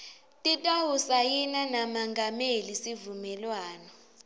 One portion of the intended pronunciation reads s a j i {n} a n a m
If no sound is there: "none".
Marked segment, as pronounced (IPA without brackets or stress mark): n